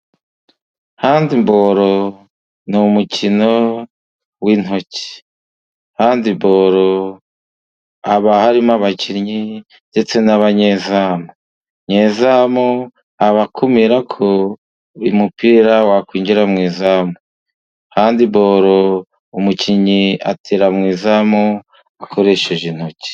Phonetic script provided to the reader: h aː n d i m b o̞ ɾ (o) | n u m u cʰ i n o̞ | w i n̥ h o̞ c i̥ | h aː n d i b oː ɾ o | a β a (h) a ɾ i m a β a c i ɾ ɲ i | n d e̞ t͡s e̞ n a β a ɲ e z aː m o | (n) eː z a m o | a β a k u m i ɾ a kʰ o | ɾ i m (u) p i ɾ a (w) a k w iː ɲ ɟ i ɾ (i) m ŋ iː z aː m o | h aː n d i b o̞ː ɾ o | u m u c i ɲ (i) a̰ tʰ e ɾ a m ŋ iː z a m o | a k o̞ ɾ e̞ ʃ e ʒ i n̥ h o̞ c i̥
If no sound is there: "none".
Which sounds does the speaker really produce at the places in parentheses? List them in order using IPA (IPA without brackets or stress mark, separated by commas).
o, h, ɲ, u, w, a, i